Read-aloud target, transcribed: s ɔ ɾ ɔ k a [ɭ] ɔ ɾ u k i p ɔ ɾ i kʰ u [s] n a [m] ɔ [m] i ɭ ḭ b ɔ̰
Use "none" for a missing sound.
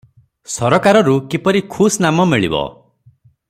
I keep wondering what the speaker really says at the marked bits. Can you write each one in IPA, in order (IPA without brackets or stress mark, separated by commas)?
ɾ, s, m, m